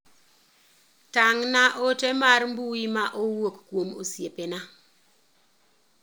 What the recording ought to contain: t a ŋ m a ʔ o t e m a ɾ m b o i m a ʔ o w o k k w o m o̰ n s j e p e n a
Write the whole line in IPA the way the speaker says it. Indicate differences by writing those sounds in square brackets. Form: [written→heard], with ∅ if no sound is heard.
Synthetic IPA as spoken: t a ŋ [m→n] a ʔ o t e m a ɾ m b [o→u] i m a ʔ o w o k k w o m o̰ [n→∅] s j e p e n a

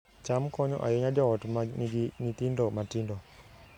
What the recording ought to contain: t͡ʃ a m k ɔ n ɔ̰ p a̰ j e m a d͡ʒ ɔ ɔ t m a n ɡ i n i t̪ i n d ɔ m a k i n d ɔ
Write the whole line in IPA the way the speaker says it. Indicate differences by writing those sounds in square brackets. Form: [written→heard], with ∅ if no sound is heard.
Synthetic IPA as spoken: t͡ʃ a m k ɔ [n→ɲ] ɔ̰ [p→ʔ] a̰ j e [m→ɲ] a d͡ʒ ɔ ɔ t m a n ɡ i n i t̪ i n d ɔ m a [k→t] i n d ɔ

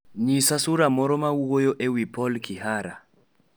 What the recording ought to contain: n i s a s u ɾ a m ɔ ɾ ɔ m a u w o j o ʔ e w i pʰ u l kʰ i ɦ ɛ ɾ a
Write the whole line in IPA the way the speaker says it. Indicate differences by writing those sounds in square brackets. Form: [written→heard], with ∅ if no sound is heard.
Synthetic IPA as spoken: [n→ɲ] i s a s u ɾ a m ɔ ɾ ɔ m a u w o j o ʔ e w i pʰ [u→ɔ] l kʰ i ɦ [ɛ→a] ɾ a

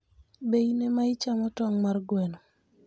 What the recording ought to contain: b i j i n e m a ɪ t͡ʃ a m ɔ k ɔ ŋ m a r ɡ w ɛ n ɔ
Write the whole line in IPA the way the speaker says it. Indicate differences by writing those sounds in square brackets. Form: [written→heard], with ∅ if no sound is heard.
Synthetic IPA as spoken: b [i→e] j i n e m a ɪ t͡ʃ a m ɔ [k→t] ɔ ŋ m a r ɡ w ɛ n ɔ

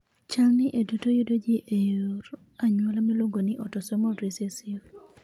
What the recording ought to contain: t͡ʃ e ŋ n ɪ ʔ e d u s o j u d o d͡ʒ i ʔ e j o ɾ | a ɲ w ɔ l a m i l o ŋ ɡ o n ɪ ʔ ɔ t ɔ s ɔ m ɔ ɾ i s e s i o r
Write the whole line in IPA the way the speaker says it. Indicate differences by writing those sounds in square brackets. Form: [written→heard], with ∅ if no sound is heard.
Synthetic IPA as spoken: t͡ʃ [e→a] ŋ n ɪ ʔ e d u [s→t] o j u d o d͡ʒ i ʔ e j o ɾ | a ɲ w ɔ l a m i l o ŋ ɡ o n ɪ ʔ ɔ t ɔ s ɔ m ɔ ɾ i s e s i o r

